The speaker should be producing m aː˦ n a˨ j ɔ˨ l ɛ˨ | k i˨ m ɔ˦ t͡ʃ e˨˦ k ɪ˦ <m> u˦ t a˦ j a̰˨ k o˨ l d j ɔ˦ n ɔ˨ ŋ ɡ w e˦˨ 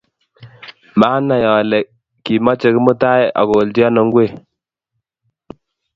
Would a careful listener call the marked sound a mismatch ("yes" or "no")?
no